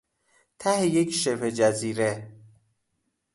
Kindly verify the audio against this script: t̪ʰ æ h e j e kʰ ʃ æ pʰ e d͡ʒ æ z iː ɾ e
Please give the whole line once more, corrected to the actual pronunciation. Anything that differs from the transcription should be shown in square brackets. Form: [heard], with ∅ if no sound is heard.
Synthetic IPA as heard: t̪ʰ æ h e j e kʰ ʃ [e] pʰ e d͡ʒ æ z iː ɾ e